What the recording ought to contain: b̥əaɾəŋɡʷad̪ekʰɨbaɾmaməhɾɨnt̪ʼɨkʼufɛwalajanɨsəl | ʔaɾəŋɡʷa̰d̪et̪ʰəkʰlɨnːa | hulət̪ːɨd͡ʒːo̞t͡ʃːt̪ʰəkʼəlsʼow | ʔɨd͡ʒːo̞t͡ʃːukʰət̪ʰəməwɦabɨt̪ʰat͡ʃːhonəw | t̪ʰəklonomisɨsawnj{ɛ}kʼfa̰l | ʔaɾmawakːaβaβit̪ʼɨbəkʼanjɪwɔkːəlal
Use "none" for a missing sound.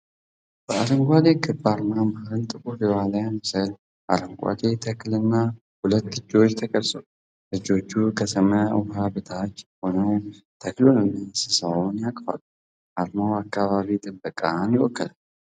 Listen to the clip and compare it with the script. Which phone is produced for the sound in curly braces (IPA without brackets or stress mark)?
a